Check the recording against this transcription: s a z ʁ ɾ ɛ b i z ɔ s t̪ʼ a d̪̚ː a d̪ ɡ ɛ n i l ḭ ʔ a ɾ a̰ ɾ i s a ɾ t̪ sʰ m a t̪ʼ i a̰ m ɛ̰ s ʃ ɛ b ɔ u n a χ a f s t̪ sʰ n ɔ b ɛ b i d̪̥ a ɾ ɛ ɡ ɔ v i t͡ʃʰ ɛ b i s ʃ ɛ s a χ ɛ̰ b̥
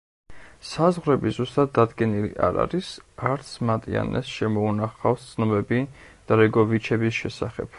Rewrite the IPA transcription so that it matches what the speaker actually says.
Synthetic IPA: s a z ʁ ɾ ɛ b i z u s t̪ʼ a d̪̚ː a d̪ ɡ ɛ n i l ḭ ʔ a ɾ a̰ ɾ i s a ɾ t̪ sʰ m a t̪ʼ i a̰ n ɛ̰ s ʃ ɛ m ɔ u n a χ a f s t̪ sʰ n ɔ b ɛ b i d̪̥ a ɾ ɛ ɡ ɔ v i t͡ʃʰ ɛ b i s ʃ ɛ s a χ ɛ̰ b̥